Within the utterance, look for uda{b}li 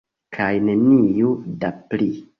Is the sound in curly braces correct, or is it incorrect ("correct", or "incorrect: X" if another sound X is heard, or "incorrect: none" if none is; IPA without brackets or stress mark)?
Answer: incorrect: p